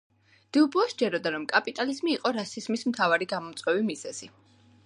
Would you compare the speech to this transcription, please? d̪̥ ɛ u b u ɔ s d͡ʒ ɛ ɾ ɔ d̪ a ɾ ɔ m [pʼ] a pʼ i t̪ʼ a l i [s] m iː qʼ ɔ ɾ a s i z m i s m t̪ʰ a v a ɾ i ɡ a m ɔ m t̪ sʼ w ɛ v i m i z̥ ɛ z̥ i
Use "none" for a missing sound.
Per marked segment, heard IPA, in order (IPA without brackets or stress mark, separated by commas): kʼ, z